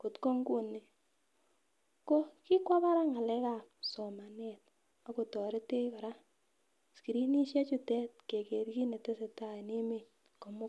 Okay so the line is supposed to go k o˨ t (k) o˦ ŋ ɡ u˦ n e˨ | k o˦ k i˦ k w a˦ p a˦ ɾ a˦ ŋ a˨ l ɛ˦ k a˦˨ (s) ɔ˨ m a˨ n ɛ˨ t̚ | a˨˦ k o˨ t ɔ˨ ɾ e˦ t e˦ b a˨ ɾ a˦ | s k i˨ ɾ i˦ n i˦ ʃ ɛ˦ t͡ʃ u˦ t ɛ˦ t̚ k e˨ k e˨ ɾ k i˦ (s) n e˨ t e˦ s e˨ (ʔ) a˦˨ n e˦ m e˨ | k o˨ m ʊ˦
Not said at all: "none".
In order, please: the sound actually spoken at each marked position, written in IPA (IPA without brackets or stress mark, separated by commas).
k, s, none, t